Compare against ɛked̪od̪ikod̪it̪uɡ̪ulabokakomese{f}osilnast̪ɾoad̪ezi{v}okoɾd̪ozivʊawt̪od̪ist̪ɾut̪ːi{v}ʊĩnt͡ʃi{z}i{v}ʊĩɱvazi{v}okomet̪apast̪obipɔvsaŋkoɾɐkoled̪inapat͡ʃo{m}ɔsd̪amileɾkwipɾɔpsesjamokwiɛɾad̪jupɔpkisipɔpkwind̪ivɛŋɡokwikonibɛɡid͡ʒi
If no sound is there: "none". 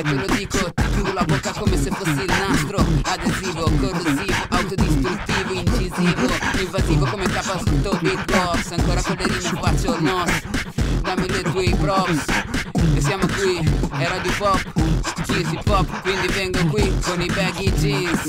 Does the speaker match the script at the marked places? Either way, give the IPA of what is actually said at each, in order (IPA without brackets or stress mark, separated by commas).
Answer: f, v, v, z, v, v, n